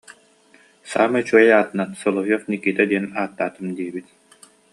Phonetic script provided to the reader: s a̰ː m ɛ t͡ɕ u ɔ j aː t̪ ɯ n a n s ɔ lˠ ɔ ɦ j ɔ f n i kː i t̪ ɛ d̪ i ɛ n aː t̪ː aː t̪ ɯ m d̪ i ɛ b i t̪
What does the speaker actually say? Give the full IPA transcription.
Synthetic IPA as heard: s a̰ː m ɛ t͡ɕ u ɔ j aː t̪ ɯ n a n s ɔ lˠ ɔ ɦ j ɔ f n i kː i t̪ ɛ d̪ i ɛ n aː t̪ː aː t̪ ɯ m d̪ i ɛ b i t̪